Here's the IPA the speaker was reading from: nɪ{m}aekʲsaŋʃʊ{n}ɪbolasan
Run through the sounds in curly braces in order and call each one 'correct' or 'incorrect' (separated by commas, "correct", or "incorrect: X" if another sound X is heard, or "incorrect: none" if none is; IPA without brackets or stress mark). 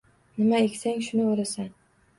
correct, correct